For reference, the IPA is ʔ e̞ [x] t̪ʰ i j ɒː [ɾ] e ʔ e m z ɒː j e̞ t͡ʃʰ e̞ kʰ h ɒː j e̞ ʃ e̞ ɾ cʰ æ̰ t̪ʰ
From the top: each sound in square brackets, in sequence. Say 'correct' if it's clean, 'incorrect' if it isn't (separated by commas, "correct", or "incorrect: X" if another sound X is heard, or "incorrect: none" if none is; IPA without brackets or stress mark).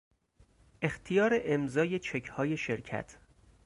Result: correct, correct